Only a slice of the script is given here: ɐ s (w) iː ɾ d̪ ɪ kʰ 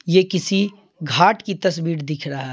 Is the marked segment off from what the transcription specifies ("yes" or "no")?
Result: yes